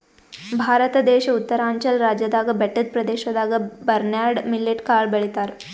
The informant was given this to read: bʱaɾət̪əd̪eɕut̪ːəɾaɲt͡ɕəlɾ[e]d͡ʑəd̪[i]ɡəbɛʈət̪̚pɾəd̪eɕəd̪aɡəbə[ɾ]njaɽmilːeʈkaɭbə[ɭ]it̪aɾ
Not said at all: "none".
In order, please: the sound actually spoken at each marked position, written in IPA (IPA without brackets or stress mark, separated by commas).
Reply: a, a, ɾ, ɭ